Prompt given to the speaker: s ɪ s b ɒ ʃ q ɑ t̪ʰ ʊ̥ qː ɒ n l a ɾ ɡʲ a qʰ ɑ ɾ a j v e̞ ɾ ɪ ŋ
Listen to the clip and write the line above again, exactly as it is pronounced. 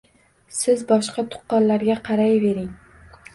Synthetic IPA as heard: s ɪ z b ɒ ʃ q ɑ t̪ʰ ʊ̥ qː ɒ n l a ɾ ɡʲ a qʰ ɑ ɾ a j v e̞ ɾ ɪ ŋ